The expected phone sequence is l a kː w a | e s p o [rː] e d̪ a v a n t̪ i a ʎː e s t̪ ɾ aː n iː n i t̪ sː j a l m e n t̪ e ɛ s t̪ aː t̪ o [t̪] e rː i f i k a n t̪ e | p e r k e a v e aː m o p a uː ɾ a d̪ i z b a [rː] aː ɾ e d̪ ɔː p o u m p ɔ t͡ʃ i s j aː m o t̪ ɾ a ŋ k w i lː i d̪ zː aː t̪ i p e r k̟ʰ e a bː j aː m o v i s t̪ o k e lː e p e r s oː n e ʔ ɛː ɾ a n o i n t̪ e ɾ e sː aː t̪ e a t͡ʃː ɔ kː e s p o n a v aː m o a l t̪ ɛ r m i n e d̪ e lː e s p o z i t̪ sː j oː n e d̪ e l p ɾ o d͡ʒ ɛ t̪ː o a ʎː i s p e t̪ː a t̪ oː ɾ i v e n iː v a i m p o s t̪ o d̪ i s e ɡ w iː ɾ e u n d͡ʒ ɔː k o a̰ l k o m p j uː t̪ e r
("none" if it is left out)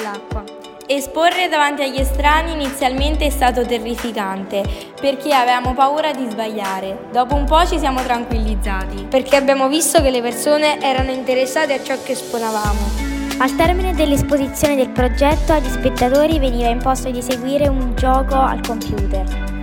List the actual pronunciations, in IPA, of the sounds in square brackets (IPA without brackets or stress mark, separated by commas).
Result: rː, t̪, ʎː